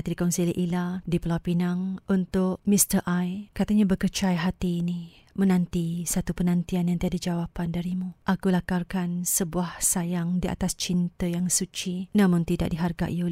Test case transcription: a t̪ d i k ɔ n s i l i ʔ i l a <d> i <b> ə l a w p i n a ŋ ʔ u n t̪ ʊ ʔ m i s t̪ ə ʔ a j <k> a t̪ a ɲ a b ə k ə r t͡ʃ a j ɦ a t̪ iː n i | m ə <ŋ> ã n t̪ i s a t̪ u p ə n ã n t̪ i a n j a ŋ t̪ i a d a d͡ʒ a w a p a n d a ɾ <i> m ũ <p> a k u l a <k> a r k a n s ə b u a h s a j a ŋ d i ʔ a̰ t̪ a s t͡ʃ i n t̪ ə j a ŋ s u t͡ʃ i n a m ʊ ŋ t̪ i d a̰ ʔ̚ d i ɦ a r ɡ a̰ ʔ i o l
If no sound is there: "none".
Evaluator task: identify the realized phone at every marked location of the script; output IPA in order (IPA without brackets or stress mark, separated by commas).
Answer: d, p, k, n, i, ʔ, k